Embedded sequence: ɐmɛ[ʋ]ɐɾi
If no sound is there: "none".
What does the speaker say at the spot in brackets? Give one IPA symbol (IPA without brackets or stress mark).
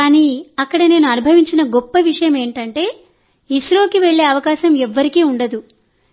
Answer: ʋː